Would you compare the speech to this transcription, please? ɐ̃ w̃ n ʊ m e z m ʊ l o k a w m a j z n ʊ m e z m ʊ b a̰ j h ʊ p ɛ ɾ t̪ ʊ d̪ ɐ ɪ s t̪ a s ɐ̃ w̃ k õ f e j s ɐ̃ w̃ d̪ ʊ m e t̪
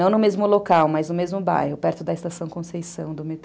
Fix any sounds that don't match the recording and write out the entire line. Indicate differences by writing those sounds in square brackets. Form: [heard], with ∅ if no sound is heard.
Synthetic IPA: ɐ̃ w̃ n ʊ m e z m ʊ l o k a w m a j z n ʊ m e z m ʊ b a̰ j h ʊ p ɛ ɾ t̪ ʊ d̪ ɐ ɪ s t̪ a s ɐ̃ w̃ k õ [s] e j s ɐ̃ w̃ d̪ ʊ m e t̪

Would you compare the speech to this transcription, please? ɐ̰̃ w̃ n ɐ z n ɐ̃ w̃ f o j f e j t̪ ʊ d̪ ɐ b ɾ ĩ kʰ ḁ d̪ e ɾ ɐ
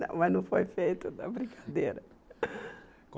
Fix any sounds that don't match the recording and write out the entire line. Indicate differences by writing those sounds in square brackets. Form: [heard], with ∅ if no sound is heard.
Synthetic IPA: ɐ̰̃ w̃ [m] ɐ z n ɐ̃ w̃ f o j f e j t̪ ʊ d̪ ɐ b ɾ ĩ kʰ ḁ d̪ e ɾ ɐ

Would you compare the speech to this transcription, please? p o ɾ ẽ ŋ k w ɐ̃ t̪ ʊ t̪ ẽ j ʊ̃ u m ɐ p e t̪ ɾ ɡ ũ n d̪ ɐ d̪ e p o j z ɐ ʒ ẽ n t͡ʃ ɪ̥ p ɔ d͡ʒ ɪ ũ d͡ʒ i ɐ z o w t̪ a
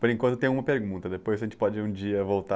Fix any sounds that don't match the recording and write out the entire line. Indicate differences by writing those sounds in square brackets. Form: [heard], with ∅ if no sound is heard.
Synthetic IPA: p o ɾ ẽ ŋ k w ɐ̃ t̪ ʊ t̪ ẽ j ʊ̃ u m ɐ p e [∅] ɾ ɡ ũ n [t̪] ɐ d̪ e p o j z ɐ ʒ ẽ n t͡ʃ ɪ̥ p ɔ d͡ʒ ɪ ũ d͡ʒ i ɐ [v] o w t̪ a

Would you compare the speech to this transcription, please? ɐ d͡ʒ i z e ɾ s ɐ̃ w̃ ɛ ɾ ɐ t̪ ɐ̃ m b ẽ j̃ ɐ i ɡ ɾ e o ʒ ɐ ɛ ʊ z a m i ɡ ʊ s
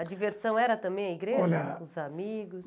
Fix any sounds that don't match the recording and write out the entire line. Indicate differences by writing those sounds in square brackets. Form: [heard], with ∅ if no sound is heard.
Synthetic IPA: ɐ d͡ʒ i [v] e ɾ s ɐ̃ w̃ ɛ ɾ ɐ t̪ ɐ̃ m b ẽ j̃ ɐ i ɡ ɾ e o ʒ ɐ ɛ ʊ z a m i ɡ ʊ s

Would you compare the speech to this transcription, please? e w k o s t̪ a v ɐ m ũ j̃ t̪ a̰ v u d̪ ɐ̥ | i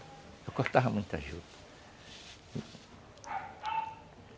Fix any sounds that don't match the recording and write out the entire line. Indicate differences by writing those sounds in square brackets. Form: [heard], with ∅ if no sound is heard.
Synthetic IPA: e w k o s t̪ a v ɐ m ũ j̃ t̪ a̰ [ʒ] u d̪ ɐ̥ | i

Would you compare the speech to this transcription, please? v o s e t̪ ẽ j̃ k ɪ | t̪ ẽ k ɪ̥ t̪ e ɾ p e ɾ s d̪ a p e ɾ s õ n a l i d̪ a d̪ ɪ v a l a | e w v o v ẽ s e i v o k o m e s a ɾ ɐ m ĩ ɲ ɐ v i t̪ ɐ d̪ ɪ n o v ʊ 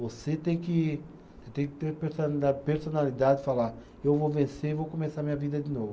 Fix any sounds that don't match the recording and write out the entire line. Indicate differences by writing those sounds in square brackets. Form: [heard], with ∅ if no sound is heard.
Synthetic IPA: v o s e t̪ ẽ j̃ k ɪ | t̪ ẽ k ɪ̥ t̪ e ɾ p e ɾ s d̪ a p e ɾ s [o] n a l i d̪ a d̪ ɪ [f] a l a | e w v o v ẽ s e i v o k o m e s a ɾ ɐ m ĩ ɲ ɐ v i [d̪] ɐ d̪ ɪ n o v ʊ

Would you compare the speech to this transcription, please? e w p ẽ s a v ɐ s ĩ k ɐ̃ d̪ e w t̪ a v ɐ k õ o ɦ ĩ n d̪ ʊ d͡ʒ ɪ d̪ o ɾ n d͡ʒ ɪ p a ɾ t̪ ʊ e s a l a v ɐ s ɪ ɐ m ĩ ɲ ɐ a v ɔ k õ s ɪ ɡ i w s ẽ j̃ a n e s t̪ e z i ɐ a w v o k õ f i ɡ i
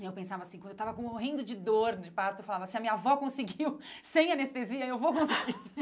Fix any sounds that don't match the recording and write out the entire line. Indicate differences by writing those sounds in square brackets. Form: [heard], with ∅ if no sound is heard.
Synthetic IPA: e w p ẽ s a v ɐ s ĩ k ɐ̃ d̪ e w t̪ a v ɐ k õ o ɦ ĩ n d̪ ʊ d͡ʒ ɪ d̪ o ɾ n d͡ʒ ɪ p a ɾ t̪ ʊ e [f] a l a v ɐ s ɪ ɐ m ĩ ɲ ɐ a v ɔ k õ s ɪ ɡ i w s ẽ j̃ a n e s t̪ e z i ɐ [e] w v o k õ [s] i ɡ i

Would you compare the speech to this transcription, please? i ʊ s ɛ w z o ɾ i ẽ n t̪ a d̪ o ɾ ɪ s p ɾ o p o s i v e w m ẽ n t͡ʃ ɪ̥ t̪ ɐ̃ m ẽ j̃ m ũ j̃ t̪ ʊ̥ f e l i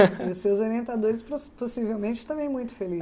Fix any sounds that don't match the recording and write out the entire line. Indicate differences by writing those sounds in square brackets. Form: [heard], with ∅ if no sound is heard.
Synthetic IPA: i ʊ s [e] w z o ɾ i ẽ n t̪ a d̪ o ɾ ɪ s p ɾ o p o s i v e w m ẽ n t͡ʃ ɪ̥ t̪ ɐ̃ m ẽ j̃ m ũ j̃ t̪ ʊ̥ f e l i

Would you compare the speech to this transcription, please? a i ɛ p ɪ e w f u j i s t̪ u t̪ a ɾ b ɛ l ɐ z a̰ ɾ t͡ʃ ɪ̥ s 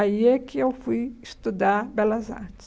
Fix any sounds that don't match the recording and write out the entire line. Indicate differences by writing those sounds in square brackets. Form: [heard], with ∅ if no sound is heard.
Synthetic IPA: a i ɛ [k] ɪ e w f u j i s t̪ u [d̪] a ɾ b ɛ l ɐ z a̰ ɾ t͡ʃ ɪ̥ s

